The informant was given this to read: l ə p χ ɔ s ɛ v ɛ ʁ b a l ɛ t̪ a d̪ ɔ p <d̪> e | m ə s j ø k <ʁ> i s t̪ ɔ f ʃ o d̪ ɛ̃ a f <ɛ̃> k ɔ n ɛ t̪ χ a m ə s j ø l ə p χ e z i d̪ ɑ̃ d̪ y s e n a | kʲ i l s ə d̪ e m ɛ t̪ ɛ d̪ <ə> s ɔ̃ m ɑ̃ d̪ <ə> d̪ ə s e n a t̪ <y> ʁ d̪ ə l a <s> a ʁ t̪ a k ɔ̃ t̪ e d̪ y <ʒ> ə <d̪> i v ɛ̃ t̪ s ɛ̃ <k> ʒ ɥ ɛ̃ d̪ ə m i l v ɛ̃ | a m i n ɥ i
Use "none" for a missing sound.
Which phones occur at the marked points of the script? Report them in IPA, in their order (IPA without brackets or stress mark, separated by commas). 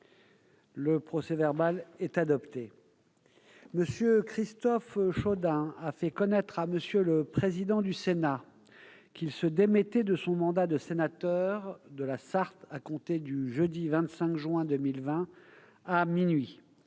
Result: t̪, χ, ɛ, ə, a, œ, s, ʒ, d̪, k